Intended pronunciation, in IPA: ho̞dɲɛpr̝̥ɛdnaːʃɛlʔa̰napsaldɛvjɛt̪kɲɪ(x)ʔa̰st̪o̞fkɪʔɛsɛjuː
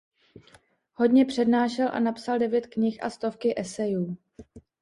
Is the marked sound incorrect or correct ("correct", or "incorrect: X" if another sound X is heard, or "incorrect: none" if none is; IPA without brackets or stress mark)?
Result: correct